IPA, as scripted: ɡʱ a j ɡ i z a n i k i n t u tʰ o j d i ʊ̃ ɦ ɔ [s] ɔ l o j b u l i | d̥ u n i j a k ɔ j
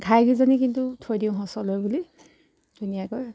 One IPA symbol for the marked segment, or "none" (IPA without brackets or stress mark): s